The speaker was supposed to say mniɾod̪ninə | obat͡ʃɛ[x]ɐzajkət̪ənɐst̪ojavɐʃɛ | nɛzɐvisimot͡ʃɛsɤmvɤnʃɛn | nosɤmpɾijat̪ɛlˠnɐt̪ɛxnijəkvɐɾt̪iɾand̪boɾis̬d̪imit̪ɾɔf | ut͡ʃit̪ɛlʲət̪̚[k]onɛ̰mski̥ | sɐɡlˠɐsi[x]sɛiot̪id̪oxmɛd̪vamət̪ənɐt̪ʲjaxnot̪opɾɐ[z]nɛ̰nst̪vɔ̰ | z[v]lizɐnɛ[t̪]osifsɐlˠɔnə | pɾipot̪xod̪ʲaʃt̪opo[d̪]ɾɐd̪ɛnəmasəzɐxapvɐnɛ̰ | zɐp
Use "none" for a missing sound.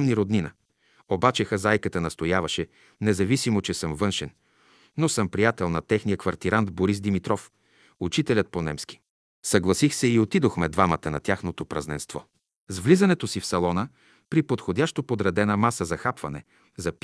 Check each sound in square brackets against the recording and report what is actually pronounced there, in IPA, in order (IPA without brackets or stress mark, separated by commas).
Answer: x, p, x, z, v, t̪, d̪